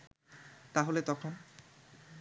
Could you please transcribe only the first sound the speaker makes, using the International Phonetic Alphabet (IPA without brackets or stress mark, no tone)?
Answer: t̪